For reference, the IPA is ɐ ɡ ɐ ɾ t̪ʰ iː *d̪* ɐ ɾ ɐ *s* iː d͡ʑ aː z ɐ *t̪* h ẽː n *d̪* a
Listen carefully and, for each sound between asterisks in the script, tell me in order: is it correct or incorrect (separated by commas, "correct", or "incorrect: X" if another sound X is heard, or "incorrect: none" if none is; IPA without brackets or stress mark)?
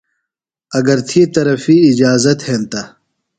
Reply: incorrect: t̪, incorrect: f, correct, incorrect: t̪